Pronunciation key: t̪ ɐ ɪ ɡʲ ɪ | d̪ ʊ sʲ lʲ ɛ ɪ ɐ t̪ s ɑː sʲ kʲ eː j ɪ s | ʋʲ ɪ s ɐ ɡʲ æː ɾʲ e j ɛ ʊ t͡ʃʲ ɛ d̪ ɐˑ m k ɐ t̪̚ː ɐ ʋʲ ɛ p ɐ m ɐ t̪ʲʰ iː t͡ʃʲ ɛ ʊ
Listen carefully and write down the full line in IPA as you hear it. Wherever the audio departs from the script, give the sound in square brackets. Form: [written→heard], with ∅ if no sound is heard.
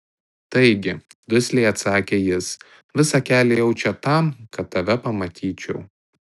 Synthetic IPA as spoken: t̪ ɐ ɪ ɡʲ ɪ | d̪ ʊ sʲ lʲ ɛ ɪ ɐ t̪ s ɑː [sʲ→∅] kʲ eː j ɪ s | ʋʲ ɪ s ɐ [ɡʲ→kʲ] æː [ɾʲ→lʲ] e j ɛ ʊ t͡ʃʲ ɛ [d̪→t̪] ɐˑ m k ɐ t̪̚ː ɐ ʋʲ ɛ p ɐ m ɐ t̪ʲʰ iː t͡ʃʲ ɛ ʊ